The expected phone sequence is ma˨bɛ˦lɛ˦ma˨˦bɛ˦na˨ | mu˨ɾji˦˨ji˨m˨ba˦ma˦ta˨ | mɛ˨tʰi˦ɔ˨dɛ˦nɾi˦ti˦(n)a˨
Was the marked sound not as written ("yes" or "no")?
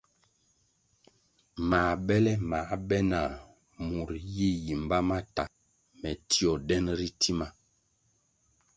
yes